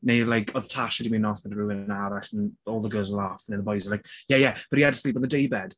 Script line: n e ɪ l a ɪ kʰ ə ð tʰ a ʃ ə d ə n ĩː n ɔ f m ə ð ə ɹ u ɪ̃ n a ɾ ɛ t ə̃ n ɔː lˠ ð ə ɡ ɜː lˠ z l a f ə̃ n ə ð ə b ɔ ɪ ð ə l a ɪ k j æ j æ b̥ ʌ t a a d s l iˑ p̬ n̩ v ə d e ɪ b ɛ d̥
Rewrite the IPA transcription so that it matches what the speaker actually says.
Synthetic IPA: n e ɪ l a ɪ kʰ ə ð tʰ a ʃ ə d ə m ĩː n ɔ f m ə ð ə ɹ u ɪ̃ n a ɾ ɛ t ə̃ n ɔː lˠ ð ə ɡ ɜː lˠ z l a f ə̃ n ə ð ə b ɔ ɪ z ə l a ɪ k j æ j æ b̥ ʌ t i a d s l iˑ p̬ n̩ ð ə d e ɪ b ɛ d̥